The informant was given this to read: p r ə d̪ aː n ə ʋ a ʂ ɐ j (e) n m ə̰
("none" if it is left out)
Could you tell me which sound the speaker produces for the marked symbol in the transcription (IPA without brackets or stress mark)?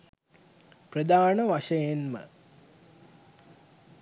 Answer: e